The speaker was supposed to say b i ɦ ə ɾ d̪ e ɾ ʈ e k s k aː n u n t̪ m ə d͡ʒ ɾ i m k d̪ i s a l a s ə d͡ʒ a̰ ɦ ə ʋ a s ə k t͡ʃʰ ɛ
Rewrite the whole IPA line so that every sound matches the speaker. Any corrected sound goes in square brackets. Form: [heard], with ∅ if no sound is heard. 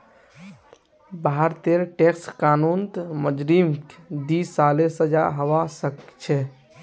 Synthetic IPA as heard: b [a] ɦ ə ɾ [t̪] e ɾ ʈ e k s k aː n u n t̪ m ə d͡ʒ ɾ i m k d̪ i s a l [e] s ə d͡ʒ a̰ ɦ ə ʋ a s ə k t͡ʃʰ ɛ